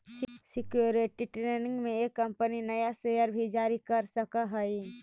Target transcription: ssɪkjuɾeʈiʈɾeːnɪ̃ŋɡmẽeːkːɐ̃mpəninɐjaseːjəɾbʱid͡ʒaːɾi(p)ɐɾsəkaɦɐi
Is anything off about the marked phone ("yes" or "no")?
yes